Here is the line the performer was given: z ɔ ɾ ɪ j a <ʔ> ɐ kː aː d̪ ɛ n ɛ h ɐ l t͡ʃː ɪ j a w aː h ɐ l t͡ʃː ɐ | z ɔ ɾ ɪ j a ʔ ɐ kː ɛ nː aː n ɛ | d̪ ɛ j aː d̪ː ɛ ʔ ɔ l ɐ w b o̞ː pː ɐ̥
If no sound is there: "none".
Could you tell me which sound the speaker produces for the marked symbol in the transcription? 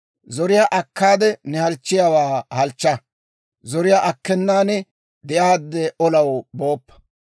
ʔ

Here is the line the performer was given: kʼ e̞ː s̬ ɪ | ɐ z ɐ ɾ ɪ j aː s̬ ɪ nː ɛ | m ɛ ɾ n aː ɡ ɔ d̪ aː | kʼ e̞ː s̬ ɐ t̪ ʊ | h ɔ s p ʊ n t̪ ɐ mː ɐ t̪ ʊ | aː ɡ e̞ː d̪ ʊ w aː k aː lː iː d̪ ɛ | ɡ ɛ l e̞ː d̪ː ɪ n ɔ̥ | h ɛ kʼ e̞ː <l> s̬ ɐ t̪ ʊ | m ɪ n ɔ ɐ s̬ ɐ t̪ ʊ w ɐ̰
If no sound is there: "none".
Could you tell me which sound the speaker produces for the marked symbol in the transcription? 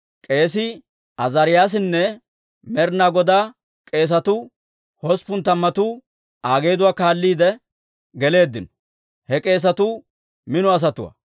none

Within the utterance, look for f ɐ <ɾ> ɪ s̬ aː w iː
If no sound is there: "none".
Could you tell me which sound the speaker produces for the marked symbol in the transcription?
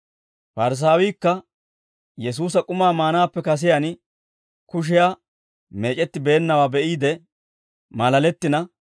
ɾ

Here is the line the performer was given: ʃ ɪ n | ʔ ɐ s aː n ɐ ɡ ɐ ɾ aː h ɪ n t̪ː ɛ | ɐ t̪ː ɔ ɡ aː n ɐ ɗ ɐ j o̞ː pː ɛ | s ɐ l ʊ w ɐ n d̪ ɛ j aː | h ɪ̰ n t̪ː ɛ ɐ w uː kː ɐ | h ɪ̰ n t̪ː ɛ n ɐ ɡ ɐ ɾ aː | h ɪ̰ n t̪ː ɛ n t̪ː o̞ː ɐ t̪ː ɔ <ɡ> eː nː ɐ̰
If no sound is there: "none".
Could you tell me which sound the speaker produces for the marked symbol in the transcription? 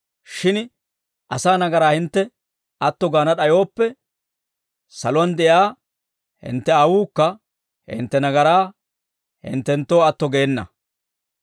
ɡ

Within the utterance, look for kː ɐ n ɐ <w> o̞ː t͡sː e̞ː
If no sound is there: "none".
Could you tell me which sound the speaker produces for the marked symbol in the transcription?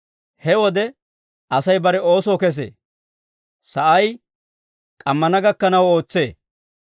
w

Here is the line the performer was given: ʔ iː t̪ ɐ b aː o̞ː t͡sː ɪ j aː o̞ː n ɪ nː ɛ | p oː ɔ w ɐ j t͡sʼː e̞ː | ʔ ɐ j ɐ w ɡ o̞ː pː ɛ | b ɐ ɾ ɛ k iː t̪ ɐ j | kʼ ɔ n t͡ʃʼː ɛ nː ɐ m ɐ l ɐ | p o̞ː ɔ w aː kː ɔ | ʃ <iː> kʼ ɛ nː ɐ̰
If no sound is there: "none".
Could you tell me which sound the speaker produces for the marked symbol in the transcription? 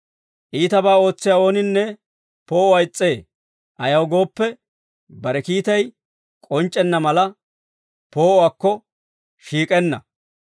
iː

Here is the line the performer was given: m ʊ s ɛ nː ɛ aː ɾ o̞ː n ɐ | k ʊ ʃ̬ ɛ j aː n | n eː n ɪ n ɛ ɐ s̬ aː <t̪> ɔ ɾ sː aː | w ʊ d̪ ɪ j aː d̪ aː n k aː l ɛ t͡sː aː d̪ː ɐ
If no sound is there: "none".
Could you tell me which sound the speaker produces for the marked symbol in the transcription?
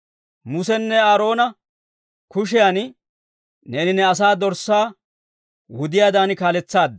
d̪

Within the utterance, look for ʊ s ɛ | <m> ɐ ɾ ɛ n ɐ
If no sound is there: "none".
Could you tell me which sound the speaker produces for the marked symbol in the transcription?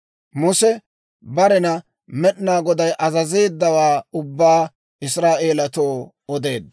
b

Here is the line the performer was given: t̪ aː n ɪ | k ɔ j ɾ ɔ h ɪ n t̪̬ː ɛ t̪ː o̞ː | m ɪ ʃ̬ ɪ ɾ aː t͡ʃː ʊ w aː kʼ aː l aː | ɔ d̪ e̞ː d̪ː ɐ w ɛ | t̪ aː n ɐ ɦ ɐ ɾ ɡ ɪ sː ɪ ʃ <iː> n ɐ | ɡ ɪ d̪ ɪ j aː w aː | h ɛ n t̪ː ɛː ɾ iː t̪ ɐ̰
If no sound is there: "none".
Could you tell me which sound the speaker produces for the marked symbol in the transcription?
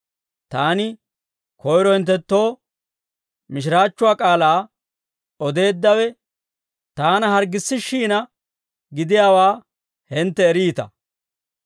iː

